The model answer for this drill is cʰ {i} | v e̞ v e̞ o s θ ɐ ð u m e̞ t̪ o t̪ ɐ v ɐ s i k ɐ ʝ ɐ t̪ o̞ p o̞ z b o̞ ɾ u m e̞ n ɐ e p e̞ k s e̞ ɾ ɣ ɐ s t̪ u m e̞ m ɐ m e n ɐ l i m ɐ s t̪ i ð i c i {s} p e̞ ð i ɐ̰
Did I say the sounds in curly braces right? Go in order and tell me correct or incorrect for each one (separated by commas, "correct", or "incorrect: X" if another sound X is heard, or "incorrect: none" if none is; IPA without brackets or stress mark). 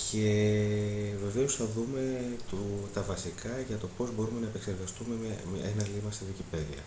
incorrect: e, incorrect: none